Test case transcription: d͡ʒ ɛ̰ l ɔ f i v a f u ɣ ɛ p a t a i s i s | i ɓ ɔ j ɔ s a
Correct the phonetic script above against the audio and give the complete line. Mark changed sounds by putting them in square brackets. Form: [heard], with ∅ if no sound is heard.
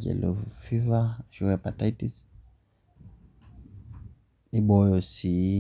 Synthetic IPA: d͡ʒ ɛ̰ l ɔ f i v a [ʃ] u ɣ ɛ p a t a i [t] i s | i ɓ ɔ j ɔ s [i]